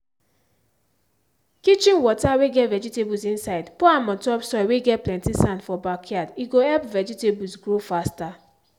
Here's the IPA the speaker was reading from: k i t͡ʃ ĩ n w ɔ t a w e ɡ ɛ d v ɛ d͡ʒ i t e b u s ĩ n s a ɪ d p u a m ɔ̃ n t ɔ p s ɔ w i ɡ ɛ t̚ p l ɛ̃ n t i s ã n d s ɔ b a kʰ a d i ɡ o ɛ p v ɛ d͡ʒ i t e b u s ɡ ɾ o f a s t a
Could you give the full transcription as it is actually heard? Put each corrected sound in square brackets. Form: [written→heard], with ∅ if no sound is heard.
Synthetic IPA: k i t͡ʃ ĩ n w ɔ t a w e ɡ ɛ [d→t] v ɛ d͡ʒ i t e b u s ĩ n s a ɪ d p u a m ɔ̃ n t ɔ p s ɔ w [i→e] ɡ ɛ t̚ p l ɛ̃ n t i s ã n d [s→f] ɔ b a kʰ a d i ɡ o ɛ p v ɛ d͡ʒ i t e b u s ɡ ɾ o f a s t a